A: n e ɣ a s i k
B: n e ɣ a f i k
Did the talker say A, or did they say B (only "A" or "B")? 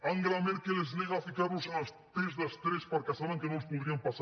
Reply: B